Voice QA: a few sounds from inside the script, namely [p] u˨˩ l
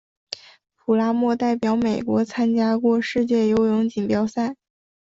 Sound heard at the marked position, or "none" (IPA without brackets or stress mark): pʰ